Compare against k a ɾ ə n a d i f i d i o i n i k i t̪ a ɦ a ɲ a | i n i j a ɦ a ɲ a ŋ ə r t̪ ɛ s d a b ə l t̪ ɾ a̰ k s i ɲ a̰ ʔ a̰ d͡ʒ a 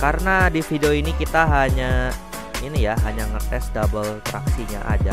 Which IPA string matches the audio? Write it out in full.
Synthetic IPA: k a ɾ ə n a d i f i d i o i n i k i t̪ a ɦ a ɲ a | i n i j a ɦ a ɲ a ŋ ə r t̪ ɛ s d a b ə l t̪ ɾ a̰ k s i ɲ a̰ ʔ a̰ d͡ʒ a